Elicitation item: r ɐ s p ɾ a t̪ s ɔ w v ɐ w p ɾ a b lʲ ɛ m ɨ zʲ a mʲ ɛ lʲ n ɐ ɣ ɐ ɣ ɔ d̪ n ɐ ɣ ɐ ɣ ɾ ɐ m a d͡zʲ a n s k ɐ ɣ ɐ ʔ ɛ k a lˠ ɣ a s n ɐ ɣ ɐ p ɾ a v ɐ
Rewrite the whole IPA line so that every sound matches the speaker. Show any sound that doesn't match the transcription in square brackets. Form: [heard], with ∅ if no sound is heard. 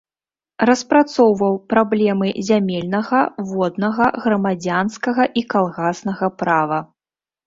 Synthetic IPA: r ɐ s p ɾ a t̪ s ɔ w v ɐ w p ɾ a b lʲ ɛ m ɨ zʲ a mʲ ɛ lʲ n ɐ ɣ ɐ [v] ɔ d̪ n ɐ ɣ ɐ ɣ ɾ ɐ m a d͡zʲ a n s k ɐ ɣ ɐ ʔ [i] k a lˠ ɣ a s n ɐ ɣ ɐ p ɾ a v ɐ